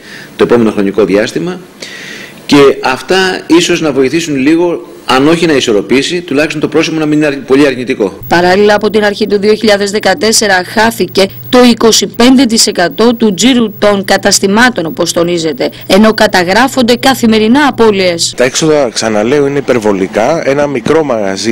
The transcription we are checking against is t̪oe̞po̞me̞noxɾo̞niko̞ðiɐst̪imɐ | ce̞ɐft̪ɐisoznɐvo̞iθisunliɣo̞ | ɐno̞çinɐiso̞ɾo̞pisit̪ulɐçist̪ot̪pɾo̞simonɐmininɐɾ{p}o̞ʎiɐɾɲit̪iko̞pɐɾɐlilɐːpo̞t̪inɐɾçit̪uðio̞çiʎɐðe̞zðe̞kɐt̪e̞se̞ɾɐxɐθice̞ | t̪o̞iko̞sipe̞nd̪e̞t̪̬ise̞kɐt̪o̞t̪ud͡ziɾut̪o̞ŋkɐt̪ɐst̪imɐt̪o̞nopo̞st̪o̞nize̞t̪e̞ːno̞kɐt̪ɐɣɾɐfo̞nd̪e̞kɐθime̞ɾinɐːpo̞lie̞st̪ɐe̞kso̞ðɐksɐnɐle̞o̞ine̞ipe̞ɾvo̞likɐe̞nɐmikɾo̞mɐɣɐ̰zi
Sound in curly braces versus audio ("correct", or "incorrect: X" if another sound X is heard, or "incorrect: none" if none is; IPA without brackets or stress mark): correct